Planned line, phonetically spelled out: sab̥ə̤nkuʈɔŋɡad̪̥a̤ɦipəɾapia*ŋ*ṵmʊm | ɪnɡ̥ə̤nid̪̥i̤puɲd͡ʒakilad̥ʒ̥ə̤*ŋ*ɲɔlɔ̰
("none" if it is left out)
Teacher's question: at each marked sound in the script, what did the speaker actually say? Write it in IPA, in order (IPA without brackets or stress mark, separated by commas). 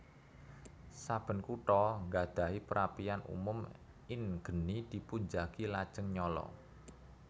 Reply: n, ŋ